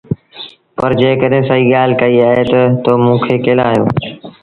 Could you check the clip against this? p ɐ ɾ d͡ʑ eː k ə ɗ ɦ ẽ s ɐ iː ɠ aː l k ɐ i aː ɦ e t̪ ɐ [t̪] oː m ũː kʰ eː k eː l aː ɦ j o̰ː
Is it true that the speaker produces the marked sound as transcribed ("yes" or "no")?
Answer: yes